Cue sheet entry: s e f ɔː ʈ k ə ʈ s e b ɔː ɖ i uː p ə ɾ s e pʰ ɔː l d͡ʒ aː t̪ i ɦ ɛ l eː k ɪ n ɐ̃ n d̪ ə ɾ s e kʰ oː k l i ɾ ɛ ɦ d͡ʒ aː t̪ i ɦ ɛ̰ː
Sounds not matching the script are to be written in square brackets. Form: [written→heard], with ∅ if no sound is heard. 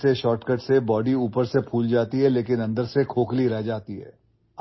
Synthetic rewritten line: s e [f→ʃ] ɔː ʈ k ə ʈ s e b ɔː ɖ i uː p ə ɾ s e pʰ [ɔː→uː] l d͡ʒ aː t̪ i ɦ ɛ l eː k ɪ n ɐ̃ n d̪ ə ɾ s e kʰ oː k l i ɾ ɛ ɦ d͡ʒ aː t̪ i ɦ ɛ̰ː